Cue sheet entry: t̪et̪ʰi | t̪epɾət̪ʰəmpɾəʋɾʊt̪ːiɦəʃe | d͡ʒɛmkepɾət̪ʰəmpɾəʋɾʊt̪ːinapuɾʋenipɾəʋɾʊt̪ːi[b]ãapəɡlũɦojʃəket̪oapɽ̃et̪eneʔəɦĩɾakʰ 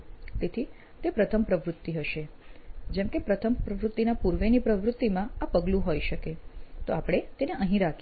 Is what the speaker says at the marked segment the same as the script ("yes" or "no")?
no